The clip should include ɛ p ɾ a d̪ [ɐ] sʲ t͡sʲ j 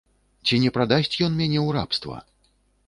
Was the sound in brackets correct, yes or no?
no